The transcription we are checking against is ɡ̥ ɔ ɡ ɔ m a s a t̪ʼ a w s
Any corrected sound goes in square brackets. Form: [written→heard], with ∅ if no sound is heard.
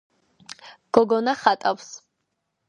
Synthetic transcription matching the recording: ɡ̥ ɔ ɡ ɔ [m→n] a [s→χ] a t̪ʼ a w s